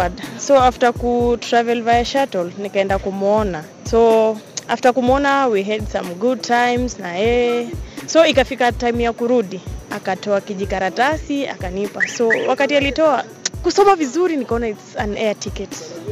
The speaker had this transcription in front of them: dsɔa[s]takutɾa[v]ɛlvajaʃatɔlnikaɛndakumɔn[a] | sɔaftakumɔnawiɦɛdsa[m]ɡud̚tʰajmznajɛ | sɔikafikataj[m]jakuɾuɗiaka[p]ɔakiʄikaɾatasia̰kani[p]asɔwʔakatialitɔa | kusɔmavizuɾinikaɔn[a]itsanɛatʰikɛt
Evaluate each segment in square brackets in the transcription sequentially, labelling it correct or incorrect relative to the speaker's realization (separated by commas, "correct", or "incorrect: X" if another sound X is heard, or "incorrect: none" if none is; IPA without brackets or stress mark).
incorrect: f, correct, correct, correct, correct, incorrect: t, correct, correct